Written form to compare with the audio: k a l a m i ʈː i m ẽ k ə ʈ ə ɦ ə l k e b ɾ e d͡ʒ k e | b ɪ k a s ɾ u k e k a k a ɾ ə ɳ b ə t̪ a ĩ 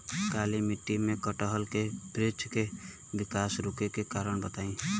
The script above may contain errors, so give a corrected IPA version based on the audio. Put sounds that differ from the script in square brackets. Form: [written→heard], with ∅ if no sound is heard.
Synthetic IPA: k a l [a→i] m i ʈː i m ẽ k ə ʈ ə ɦ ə l k e b ɾ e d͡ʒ k e | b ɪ k a s ɾ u k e k [a→e] k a ɾ ə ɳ b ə t̪ a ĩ

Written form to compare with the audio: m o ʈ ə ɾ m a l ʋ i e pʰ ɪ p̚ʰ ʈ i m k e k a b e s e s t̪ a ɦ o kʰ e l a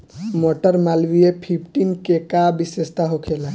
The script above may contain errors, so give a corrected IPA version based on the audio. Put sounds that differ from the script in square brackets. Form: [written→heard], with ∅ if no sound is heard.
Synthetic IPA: m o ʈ ə ɾ m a l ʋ i e pʰ [ɪ→i] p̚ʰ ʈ i [m→n] k e k a b [e→i] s e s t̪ a ɦ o kʰ e l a

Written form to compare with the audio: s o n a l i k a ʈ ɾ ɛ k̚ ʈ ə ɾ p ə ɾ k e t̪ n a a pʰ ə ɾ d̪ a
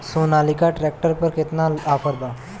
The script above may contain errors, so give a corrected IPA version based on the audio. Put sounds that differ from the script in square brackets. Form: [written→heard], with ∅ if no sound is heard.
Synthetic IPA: s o n a l i k a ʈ ɾ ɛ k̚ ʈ ə ɾ p ə ɾ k e t̪ n a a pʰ ə ɾ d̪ a

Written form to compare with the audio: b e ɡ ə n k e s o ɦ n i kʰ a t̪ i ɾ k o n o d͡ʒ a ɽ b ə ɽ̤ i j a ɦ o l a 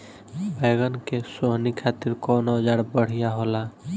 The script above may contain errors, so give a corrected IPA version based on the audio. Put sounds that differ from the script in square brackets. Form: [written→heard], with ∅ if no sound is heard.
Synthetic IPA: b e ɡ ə n k e s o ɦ n i kʰ a t̪ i ɾ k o n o d͡ʒ a ɽ b ə ɽ̤ i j a ɦ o l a

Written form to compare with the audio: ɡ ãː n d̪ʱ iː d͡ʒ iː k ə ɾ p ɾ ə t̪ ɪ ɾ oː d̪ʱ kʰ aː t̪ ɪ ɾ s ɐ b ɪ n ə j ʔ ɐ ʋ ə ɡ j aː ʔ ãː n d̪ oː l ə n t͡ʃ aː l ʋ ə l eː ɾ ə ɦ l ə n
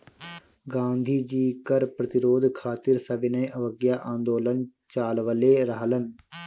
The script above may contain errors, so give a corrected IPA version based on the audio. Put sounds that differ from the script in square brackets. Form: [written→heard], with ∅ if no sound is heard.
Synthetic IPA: ɡ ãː n d̪ʱ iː d͡ʒ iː k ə ɾ p ɾ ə t̪ ɪ ɾ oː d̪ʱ kʰ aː t̪ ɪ ɾ s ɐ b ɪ n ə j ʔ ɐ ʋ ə ɡ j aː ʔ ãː n d̪ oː l ə n t͡ʃ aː l ʋ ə l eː ɾ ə ɦ l ə n

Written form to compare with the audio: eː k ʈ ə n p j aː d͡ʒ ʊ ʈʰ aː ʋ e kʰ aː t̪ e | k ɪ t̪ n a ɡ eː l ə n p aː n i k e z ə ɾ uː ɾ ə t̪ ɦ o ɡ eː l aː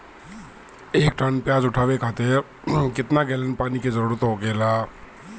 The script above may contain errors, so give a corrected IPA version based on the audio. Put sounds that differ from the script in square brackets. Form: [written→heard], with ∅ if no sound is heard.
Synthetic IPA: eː k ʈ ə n p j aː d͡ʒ ʊ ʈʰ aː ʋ e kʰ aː t̪ e | k ɪ t̪ n a ɡ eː l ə n p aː n i k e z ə ɾ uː ɾ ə t̪ ɦ o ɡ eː l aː

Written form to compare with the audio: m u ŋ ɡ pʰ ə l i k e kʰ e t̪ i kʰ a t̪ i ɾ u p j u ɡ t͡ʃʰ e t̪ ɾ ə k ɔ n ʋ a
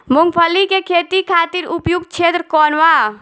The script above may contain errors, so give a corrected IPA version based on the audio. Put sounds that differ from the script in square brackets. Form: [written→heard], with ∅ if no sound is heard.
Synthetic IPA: m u ŋ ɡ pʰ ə l i k e kʰ e t̪ i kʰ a t̪ i ɾ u p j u ɡ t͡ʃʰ e t̪ ɾ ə k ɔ n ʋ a

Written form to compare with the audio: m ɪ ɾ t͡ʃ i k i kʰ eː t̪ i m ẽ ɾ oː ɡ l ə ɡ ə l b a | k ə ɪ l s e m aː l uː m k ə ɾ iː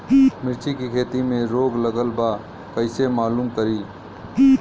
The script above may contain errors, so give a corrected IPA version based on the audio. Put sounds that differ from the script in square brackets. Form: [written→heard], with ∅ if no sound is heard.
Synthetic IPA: m ɪ ɾ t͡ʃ i k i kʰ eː t̪ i m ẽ ɾ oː ɡ l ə ɡ ə l b a | k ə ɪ [l→∅] s e m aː l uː m k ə ɾ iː

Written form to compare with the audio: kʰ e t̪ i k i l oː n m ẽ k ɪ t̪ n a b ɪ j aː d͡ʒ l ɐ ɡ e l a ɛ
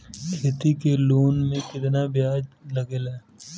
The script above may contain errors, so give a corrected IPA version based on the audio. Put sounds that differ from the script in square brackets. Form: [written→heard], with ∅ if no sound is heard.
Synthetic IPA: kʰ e t̪ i k [i→e] l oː n m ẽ k ɪ t̪ n a b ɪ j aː d͡ʒ l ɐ ɡ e l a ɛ

